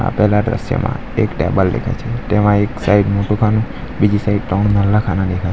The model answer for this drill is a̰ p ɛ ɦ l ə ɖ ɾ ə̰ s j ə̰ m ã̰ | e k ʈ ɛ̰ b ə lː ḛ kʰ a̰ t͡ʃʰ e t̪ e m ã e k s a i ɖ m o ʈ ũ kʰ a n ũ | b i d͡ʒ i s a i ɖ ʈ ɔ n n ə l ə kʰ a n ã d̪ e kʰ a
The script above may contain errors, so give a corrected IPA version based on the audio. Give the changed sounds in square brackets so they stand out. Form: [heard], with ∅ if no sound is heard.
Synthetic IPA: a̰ p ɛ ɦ l [a] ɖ ɾ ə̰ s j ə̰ m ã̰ | e k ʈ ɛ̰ b ə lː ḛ kʰ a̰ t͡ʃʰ e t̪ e m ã e k s a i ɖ m o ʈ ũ kʰ a n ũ | b i d͡ʒ i s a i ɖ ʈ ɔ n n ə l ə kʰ a n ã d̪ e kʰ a